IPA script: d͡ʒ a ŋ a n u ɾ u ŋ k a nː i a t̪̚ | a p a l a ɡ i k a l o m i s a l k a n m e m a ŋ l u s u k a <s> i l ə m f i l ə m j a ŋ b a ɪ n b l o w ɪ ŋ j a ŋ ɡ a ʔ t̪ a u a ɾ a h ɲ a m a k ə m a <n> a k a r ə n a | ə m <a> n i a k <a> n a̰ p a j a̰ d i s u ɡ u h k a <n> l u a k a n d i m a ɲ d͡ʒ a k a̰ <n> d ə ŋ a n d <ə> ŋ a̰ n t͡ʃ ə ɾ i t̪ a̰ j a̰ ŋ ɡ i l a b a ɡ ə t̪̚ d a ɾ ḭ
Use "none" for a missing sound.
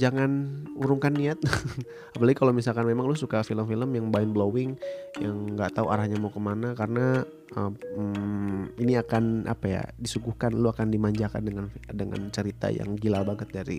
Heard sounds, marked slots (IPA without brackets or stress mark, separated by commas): f, n, i, a, n, n, ə